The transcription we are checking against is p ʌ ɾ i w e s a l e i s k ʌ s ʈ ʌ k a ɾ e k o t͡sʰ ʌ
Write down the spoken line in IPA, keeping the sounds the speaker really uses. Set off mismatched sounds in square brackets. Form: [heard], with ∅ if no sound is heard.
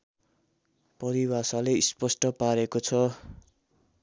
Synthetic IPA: p ʌ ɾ i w [a] s a l e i s [p] ʌ s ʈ ʌ [p] a ɾ e k o t͡sʰ ʌ

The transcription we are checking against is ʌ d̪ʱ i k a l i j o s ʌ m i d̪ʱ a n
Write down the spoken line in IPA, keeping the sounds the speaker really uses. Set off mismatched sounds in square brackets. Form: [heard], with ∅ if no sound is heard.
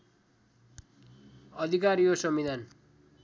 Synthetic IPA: ʌ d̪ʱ i k a [ɾ] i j o s ʌ m i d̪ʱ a n

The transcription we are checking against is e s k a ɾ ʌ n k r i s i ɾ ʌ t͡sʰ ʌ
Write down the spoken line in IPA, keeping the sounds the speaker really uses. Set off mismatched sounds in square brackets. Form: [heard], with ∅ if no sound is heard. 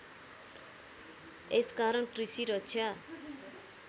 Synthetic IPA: e s k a ɾ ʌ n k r i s i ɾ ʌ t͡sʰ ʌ

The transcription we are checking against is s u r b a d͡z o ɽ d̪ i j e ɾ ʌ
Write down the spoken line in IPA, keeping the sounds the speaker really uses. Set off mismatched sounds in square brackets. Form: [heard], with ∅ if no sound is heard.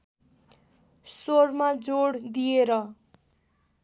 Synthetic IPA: s [o] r [m] a d͡z o ɽ d̪ i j e ɾ ʌ

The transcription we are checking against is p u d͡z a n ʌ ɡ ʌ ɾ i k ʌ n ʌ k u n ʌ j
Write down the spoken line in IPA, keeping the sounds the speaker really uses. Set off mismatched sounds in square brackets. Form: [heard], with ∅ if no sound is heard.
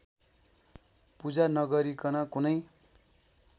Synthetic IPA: p u d͡z a n ʌ ɡ ʌ ɾ i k ʌ n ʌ k u n ʌ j

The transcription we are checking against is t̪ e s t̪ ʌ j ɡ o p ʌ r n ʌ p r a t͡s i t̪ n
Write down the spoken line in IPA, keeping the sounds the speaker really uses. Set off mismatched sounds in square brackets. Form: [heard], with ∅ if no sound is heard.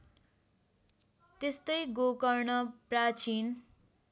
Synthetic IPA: t̪ e s t̪ ʌ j ɡ o [k] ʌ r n ʌ p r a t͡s i [∅] n

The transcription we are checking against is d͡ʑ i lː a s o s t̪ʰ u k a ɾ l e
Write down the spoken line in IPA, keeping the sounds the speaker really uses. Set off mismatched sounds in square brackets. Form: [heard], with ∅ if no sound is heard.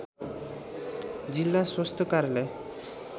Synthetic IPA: d͡ʑ i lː a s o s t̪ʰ [o] k a ɾ l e

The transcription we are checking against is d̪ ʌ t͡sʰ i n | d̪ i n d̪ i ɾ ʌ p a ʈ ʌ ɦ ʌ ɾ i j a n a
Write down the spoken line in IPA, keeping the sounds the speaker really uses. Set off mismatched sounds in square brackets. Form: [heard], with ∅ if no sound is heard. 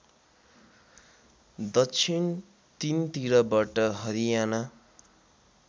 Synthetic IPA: d̪ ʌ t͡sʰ i n | [t̪] i n [t̪] i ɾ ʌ [b] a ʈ ʌ ɦ ʌ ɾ i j a n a

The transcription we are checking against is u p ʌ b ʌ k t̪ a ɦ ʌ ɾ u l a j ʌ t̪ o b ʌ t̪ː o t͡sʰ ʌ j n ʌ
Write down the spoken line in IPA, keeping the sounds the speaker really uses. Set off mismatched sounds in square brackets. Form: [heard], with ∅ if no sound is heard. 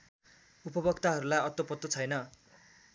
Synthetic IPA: u p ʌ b ʌ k t̪ a ɦ ʌ ɾ u l a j ʌ t̪ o [p] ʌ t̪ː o t͡sʰ ʌ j n ʌ

